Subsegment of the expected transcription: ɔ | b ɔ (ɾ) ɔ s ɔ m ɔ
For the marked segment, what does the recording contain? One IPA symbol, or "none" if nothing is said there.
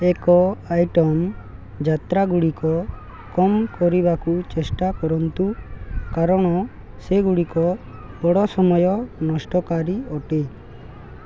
ɽ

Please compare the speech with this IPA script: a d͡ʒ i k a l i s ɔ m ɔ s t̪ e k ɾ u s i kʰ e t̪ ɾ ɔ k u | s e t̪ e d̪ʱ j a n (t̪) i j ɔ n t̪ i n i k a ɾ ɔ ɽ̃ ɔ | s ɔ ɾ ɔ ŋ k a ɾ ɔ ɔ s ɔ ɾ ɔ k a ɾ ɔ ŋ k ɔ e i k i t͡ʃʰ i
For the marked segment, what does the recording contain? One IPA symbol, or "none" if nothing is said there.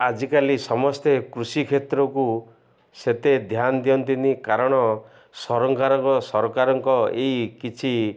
d̪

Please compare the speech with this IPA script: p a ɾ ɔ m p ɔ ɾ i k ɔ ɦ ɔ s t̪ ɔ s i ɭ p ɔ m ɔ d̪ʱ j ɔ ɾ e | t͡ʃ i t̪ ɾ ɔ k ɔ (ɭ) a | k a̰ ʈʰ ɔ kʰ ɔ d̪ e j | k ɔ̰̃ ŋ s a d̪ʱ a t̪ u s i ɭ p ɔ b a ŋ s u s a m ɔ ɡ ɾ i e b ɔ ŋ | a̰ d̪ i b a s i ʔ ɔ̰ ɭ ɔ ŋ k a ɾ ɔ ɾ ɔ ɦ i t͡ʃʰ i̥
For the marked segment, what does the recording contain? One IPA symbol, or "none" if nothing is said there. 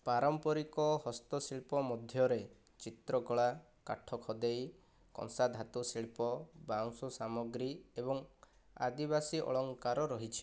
ɭ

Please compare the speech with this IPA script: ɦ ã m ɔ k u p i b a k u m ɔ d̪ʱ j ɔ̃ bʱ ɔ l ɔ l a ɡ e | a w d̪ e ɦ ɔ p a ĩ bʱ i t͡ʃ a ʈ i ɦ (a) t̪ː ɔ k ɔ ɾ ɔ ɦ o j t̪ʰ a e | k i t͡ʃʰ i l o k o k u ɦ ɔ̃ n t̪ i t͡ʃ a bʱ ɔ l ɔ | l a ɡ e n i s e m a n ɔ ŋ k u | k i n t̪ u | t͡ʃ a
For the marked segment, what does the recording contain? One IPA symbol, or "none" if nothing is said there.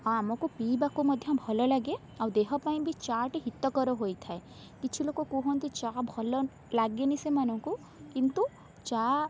i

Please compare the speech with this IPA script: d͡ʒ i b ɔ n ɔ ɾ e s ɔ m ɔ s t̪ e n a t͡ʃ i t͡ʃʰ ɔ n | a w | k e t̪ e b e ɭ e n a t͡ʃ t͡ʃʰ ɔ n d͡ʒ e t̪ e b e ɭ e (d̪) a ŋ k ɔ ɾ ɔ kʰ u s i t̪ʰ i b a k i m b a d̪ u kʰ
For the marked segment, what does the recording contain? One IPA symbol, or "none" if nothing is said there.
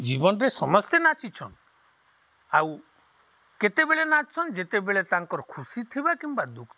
t̪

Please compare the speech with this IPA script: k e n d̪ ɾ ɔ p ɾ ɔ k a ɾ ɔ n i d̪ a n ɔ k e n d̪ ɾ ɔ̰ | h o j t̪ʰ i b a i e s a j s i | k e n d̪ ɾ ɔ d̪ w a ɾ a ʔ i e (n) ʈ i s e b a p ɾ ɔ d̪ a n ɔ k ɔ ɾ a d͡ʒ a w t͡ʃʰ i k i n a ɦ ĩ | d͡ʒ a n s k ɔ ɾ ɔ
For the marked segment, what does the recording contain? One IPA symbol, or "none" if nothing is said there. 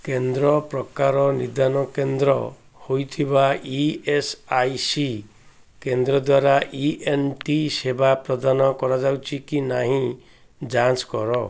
n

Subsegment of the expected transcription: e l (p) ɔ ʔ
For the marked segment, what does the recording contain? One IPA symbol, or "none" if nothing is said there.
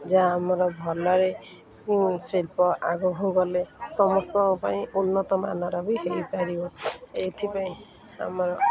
p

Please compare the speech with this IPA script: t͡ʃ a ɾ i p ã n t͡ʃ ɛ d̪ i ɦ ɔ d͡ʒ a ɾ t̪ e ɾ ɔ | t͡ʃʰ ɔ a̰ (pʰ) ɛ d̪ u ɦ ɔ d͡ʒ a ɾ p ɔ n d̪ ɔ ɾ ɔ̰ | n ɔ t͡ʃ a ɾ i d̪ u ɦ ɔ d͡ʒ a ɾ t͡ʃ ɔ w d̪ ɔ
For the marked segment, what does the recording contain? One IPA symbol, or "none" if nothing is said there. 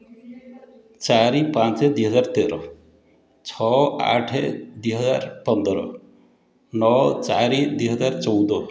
ʈʰ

